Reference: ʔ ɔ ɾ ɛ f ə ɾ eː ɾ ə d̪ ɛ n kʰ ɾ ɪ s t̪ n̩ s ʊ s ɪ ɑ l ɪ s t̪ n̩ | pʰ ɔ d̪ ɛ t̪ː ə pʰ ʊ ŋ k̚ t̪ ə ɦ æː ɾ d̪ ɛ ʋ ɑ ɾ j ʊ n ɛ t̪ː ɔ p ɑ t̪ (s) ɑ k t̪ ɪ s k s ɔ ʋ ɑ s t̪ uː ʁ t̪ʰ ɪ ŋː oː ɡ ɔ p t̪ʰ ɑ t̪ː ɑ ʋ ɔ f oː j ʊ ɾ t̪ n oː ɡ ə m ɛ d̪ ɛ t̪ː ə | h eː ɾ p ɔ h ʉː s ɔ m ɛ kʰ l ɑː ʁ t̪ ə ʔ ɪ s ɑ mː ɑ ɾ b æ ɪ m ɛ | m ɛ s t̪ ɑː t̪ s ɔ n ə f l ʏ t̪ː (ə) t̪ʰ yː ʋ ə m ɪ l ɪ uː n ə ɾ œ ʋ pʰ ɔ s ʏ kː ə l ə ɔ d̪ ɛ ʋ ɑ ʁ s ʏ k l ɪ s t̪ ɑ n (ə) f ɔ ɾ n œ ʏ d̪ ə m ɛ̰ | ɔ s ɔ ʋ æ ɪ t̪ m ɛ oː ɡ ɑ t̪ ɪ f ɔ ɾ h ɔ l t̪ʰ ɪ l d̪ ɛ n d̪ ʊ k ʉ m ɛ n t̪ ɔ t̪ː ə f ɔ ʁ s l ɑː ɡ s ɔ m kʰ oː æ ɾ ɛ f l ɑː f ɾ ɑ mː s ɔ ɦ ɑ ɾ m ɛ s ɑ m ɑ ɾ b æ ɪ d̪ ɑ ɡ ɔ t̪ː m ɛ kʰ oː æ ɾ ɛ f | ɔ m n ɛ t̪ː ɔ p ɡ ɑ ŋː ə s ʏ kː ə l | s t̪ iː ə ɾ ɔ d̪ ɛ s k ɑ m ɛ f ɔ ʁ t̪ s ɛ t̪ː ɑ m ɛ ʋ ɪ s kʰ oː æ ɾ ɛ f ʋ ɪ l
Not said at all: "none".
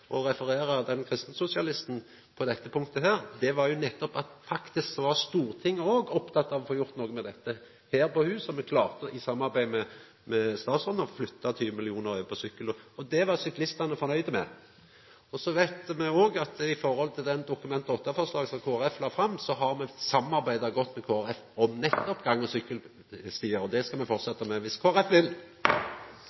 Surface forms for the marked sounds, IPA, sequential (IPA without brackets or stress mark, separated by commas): f, ɑ, ə